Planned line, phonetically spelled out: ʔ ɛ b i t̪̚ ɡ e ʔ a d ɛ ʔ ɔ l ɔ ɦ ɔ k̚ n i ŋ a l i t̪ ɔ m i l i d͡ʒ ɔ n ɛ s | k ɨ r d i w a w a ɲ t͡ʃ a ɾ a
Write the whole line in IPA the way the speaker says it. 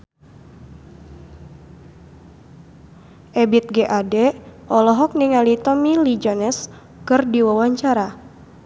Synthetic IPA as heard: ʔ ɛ b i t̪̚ ɡ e ʔ a d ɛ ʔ ɔ l ɔ ɦ ɔ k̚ n i ŋ a l i t̪ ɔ m i l i d͡ʒ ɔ n ɛ s | k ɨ r d i w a w a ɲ t͡ʃ a ɾ a